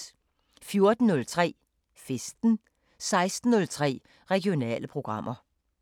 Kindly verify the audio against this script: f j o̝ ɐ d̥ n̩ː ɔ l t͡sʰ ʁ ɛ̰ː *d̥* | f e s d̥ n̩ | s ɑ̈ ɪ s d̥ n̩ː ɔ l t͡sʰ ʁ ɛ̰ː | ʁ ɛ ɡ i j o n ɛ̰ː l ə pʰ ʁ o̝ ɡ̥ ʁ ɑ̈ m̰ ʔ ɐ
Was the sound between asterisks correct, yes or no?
no